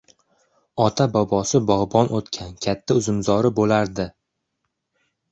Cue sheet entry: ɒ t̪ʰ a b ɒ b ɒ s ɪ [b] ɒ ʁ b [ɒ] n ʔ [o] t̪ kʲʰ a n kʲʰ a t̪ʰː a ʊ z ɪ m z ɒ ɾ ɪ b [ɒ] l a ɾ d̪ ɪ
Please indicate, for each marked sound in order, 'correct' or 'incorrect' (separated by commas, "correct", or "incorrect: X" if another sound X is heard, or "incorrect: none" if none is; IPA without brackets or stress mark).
correct, correct, correct, incorrect: o